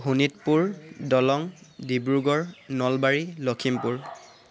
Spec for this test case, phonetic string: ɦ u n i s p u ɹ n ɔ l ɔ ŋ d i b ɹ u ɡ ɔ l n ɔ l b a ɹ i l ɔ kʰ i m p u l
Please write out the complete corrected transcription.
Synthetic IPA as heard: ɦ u n i t p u ɹ d ɔ l ɔ ŋ d i b ɹ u ɡ ɔ ɹ n ɔ l b a ɹ i l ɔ kʰ i m p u ɹ